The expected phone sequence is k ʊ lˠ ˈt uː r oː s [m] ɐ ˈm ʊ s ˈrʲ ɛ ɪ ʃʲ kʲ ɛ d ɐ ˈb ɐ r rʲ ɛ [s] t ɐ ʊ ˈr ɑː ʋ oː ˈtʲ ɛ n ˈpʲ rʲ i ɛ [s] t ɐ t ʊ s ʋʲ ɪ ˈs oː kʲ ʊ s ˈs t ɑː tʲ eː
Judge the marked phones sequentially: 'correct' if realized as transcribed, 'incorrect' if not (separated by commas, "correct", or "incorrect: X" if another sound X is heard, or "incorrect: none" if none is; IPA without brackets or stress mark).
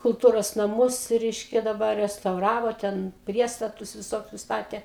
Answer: incorrect: n, correct, correct